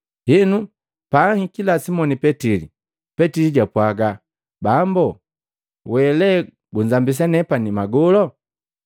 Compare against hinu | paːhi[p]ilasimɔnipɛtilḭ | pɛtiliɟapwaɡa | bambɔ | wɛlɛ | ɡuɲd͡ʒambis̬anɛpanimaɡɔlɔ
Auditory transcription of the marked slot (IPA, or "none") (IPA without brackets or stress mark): k